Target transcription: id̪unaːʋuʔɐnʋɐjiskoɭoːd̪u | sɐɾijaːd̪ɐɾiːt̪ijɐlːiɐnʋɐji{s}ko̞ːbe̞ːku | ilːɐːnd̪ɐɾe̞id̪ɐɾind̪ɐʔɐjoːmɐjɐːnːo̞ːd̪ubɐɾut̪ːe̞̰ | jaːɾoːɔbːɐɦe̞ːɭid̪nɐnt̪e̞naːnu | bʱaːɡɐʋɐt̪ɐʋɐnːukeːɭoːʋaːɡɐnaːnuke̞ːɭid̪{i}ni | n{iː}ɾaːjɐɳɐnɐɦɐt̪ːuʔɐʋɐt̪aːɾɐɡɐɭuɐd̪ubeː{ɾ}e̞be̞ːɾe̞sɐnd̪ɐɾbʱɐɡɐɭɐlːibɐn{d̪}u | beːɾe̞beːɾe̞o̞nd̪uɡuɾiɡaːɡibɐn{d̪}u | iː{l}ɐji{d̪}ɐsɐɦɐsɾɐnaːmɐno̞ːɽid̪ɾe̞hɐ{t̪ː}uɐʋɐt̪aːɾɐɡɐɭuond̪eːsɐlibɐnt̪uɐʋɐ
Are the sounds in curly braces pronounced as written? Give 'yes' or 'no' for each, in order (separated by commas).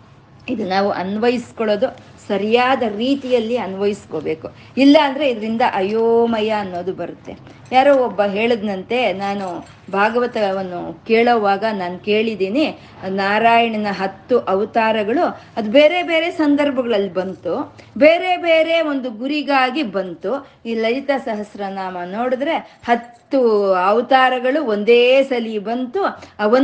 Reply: yes, no, no, yes, no, no, yes, no, yes